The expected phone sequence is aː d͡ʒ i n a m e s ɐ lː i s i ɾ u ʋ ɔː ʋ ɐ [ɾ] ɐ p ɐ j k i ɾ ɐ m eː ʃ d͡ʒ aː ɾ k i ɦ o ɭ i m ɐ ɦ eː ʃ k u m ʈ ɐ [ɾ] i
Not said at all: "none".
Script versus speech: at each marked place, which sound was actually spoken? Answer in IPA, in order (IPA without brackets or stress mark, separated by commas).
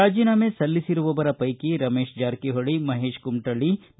ɾ, ɭ